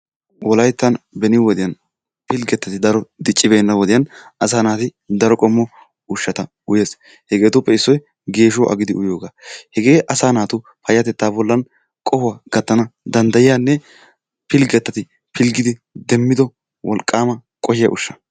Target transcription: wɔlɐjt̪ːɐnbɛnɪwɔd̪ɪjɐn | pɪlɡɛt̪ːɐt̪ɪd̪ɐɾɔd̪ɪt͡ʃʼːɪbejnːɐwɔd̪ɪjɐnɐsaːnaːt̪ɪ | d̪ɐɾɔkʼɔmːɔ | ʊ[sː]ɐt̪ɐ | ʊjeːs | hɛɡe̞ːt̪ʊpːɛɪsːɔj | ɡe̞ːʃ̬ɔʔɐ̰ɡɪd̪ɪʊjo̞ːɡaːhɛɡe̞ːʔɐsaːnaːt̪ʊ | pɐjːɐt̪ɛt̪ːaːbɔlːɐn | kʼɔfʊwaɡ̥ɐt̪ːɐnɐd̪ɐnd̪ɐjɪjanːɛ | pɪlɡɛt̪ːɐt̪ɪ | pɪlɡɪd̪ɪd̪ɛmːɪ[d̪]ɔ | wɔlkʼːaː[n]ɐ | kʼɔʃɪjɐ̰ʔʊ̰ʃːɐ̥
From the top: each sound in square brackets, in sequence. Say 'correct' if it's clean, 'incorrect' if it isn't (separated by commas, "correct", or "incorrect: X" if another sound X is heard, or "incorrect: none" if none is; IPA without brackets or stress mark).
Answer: incorrect: ʃː, correct, incorrect: m